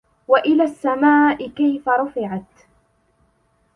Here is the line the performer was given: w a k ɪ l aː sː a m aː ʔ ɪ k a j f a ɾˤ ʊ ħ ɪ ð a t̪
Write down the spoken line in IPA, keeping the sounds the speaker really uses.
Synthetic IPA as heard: w a ʔ ɪ l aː sː a m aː ʔ ɪ k a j f a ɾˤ ʊ f ɪ ʕ a t̪